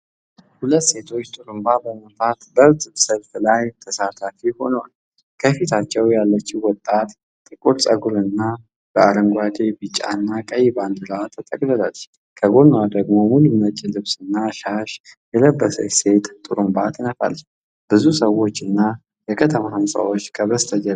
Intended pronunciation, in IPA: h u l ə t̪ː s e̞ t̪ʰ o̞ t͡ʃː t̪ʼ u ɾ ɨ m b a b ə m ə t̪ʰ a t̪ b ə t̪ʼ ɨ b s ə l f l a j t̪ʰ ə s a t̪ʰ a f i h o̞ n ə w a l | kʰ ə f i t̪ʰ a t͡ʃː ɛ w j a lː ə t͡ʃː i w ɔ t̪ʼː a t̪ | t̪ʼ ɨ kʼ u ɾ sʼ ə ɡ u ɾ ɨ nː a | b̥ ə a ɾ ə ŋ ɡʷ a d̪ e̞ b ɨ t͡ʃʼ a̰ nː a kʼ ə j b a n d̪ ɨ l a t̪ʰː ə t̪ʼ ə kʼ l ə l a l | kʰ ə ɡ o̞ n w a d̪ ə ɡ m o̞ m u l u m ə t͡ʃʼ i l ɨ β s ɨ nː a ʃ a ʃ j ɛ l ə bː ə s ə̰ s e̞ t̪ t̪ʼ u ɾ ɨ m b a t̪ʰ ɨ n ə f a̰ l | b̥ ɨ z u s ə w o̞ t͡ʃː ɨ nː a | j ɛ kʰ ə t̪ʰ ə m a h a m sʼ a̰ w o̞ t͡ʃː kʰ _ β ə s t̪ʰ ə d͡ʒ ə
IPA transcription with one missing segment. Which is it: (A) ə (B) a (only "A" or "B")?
A